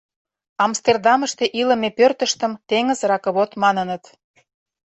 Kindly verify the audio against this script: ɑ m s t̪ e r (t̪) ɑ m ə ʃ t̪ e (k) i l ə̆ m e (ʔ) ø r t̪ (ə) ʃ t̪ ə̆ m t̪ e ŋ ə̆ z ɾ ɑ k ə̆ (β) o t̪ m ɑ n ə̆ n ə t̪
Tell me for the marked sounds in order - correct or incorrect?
incorrect: d̪, incorrect: ʔ, incorrect: p, correct, correct

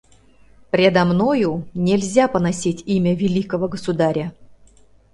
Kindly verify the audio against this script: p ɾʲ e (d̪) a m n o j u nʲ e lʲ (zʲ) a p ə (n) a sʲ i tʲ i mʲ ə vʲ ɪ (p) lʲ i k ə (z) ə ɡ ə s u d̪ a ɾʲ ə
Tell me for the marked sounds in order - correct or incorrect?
correct, correct, correct, incorrect: none, incorrect: v

